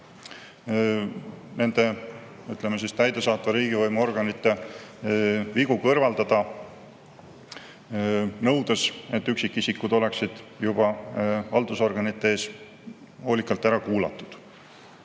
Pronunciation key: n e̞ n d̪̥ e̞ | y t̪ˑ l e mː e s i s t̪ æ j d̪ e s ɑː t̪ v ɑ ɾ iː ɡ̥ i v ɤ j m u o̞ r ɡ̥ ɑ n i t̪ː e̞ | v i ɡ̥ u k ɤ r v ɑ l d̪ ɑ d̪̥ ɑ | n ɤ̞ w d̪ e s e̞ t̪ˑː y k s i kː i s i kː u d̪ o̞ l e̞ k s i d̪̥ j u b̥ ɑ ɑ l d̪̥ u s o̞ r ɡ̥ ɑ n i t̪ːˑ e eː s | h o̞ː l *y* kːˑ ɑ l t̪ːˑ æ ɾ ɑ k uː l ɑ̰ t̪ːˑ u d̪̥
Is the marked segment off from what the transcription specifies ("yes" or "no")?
yes